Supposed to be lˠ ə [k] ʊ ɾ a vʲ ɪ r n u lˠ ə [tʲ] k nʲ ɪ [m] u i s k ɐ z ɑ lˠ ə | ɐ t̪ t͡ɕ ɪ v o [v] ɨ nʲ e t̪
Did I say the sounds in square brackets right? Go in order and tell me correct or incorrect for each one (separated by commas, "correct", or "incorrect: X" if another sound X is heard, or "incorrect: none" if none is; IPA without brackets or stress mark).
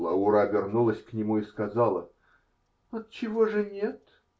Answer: incorrect: none, incorrect: sʲ, correct, incorrect: ʐ